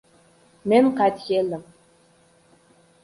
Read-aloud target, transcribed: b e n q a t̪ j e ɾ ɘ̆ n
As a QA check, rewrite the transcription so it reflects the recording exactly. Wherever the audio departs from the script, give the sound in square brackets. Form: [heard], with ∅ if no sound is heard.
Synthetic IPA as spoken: [m] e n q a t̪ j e [l] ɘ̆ [m]

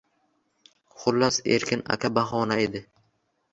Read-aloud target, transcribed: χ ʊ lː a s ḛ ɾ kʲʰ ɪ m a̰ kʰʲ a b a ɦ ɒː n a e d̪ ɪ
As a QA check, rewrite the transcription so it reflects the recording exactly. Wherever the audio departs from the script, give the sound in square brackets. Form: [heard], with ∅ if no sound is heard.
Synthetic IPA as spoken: χ ʊ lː a s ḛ ɾ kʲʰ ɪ [n] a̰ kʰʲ a b a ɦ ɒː n a e d̪ ɪ

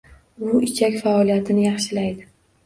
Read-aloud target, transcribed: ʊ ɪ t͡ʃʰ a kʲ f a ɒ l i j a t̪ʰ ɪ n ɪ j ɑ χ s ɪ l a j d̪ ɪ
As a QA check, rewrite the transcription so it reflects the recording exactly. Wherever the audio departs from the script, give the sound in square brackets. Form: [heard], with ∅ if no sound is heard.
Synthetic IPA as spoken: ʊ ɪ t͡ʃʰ a kʲ f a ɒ l i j a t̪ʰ ɪ n ɪ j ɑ χ [ʃ] ɪ l a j d̪ ɪ

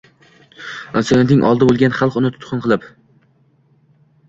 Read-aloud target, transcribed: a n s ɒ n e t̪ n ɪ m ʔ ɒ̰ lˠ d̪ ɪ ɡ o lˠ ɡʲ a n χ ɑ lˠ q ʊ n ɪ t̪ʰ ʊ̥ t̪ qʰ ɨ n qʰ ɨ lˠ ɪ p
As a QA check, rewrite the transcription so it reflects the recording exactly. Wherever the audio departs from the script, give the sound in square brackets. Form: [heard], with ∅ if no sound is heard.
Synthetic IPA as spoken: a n s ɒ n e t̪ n ɪ [ŋ] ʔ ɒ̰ lˠ d̪ ɪ [b] o lˠ ɡʲ a n χ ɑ lˠ q ʊ n ɪ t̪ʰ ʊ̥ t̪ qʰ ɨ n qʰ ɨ lˠ ɪ p

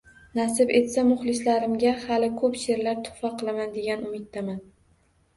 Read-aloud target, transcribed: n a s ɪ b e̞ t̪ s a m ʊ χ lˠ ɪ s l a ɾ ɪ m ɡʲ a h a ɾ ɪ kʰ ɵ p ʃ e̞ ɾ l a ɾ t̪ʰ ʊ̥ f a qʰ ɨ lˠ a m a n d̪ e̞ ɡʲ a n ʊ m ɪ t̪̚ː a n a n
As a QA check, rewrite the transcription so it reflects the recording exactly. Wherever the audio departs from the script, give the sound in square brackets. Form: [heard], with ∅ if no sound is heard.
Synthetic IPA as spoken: n a s ɪ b e̞ t̪ s a m ʊ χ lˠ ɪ s l a ɾ ɪ m ɡʲ a h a [l] ɪ kʰ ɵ p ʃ e̞ ɾ l a ɾ t̪ʰ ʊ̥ f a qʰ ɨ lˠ a m a n d̪ e̞ ɡʲ a n ʊ m ɪ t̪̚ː a [m] a n

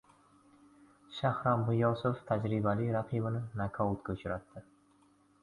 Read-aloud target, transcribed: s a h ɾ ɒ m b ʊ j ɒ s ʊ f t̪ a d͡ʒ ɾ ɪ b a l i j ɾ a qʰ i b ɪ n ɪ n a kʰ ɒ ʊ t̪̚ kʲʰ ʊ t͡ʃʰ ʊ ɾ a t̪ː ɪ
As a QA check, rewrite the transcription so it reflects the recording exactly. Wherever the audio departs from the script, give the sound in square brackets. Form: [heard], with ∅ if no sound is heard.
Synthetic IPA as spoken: [ʃ] a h ɾ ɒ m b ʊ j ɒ s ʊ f [t̪ʰ] a d͡ʒ ɾ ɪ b a l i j ɾ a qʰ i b ɪ n ɪ n a kʰ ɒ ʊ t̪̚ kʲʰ ʊ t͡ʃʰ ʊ ɾ a t̪ː ɪ

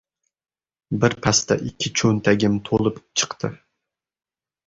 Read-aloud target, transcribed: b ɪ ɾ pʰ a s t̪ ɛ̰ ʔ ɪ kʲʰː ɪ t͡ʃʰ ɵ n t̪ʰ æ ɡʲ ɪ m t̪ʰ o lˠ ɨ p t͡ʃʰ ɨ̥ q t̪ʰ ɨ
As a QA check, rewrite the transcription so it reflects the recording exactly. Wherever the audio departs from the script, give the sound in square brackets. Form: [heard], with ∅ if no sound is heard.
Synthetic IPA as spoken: b ɪ ɾ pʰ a s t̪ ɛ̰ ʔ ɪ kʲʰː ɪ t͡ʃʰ ɵ n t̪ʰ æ ɡʲ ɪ m t̪ʰ o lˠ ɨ p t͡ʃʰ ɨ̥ q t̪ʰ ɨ

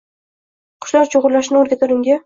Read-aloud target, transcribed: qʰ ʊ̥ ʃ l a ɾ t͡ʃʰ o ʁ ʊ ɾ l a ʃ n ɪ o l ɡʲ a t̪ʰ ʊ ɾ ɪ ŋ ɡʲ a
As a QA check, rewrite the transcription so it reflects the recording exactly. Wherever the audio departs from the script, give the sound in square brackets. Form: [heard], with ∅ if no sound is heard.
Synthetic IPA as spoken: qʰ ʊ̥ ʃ l a ɾ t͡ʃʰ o ʁ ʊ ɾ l a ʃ n ɪ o [ɾ] ɡʲ a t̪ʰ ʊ ɾ ɪ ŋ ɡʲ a

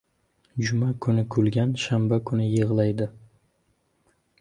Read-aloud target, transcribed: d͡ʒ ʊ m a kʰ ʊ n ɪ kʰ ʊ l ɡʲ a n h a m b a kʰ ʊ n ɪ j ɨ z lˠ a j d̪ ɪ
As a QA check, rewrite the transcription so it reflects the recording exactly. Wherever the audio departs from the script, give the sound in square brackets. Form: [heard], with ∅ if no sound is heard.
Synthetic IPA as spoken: d͡ʒ ʊ m a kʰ ʊ n ɪ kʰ ʊ l ɡʲ a n [ʃ] a m b a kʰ ʊ n ɪ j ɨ [ʁ] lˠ a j d̪ ɪ

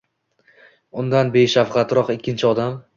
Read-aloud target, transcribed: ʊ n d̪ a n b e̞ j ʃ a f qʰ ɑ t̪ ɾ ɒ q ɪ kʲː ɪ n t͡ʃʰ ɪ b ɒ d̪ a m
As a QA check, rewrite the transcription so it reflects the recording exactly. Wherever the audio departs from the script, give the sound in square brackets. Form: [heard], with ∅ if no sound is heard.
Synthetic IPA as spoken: ʊ n d̪ a n b e̞ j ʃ a f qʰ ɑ t̪ ɾ ɒ q ɪ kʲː ɪ n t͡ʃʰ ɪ [∅] ɒ d̪ a m

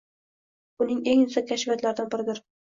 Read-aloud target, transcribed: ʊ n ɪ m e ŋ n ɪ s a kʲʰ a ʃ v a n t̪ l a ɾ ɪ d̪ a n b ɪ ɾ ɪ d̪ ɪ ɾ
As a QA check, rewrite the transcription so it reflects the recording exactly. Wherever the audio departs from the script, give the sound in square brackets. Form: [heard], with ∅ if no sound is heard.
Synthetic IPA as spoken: ʊ n ɪ [ŋ] e ŋ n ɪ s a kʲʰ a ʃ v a [∅] t̪ l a ɾ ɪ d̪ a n b ɪ ɾ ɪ d̪ ɪ ɾ

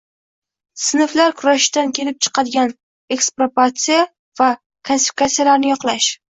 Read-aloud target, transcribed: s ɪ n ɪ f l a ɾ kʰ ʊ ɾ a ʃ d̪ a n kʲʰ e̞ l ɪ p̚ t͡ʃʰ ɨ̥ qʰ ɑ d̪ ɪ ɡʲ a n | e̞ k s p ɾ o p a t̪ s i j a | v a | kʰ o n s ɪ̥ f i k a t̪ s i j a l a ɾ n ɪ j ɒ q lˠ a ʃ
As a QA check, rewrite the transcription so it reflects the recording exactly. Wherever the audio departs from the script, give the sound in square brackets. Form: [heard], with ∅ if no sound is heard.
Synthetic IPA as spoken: s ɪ n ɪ f l a ɾ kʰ ʊ ɾ a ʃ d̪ a n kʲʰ e̞ l ɪ p̚ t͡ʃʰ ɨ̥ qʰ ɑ d̪ ɪ ɡʲ a n | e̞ k s p ɾ o p a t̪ s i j a | v a | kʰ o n s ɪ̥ f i k a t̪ s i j a l a ɾ n ɪ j ɒ q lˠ a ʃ

